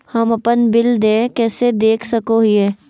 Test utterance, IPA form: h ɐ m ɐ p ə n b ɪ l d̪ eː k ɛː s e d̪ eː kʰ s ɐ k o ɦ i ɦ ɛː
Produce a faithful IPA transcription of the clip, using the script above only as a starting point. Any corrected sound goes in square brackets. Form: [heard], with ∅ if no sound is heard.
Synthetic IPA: h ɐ m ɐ p ə n b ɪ l d̪ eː k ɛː s e d̪ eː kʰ s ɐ k o ɦ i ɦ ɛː

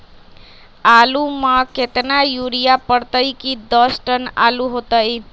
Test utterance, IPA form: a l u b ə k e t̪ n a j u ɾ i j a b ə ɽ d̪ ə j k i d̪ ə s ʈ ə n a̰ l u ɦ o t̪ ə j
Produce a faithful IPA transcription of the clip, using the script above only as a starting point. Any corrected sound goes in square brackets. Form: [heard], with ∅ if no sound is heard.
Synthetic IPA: a l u [m] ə k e t̪ n a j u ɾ i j a [p] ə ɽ [t̪] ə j k i d̪ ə s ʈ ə n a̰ l u ɦ o t̪ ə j

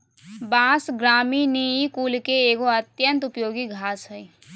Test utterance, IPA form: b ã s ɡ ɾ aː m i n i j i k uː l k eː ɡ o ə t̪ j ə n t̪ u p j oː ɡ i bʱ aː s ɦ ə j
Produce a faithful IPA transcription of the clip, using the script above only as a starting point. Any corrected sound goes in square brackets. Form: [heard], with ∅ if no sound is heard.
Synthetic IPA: b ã s ɡ ɾ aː m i n i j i k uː l k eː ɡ o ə t̪ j ə n t̪ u p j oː ɡ i [ɡʱ] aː s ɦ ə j

